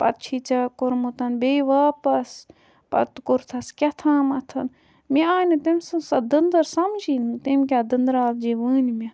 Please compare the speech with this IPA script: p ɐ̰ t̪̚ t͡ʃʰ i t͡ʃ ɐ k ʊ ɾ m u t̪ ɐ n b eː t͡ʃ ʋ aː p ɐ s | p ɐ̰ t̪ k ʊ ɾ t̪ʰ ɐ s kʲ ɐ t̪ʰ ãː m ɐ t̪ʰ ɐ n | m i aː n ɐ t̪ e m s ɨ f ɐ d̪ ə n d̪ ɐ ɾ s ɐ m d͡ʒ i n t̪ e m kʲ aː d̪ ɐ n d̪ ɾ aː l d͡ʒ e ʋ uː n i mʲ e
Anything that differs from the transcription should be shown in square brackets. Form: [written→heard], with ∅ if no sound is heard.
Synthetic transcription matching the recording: p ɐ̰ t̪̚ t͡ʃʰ i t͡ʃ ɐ k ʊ ɾ m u t̪ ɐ n b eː [t͡ʃ→∅] ʋ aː p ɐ s | p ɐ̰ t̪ k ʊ ɾ t̪ʰ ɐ s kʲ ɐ t̪ʰ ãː m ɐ t̪ʰ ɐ n | m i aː n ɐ t̪ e m s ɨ [f→s] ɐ d̪ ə n d̪ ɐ ɾ s ɐ m d͡ʒ i n t̪ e m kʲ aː d̪ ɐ n d̪ ɾ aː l d͡ʒ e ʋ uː n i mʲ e